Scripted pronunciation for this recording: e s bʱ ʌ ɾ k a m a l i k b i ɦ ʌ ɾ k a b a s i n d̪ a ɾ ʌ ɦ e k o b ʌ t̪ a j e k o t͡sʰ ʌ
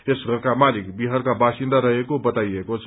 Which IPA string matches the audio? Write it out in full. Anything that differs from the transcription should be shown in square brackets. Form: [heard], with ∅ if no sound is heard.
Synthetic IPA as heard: e s [ɡʱ] ʌ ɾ k a m a l i k b i ɦ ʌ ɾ k a b a s i n d̪ a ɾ ʌ ɦ e k o b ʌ t̪ a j e k o t͡sʰ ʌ

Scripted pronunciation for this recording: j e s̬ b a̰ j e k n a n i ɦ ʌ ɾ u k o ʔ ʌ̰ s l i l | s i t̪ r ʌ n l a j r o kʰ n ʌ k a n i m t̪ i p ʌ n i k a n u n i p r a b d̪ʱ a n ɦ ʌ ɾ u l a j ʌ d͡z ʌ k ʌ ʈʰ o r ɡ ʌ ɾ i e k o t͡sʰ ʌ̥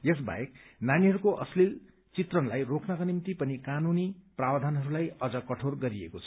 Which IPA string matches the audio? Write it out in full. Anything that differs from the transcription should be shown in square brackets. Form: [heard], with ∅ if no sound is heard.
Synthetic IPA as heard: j e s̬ b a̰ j e k n a n i ɦ ʌ ɾ u k o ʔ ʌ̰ s l i l | [t͡s] i t̪ r ʌ n l a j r o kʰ n ʌ k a n i m t̪ i p ʌ n i k a n u n i p r a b d̪ʱ a n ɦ ʌ ɾ u l a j ʌ d͡z ʌ k ʌ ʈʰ o r ɡ ʌ ɾ i e k o t͡sʰ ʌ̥

